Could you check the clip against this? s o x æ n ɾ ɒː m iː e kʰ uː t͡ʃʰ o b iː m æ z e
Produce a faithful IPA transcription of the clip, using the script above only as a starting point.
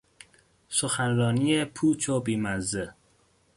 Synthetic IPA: s o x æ n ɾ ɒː n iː e pʰ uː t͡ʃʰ o b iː m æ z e